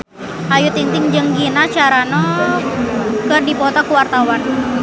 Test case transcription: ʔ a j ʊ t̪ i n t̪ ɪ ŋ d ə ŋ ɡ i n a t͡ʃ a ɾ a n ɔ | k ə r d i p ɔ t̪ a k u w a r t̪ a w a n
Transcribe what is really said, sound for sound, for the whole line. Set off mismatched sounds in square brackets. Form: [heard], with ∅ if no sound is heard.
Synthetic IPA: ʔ a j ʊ t̪ i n t̪ ɪ ŋ [d͡ʒ] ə ŋ ɡ i n a t͡ʃ a ɾ a n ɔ | k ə r d i p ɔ t̪ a k u w a r t̪ a w a n